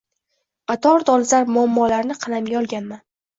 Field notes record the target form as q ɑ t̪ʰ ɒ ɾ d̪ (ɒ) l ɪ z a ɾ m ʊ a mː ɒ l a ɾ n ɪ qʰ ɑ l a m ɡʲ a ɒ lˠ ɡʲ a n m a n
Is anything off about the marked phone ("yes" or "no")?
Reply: no